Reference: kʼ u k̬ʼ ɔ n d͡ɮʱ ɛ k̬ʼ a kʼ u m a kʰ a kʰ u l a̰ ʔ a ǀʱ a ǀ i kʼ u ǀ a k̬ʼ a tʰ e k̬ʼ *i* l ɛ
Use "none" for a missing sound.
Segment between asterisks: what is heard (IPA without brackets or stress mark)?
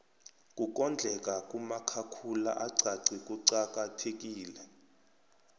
iː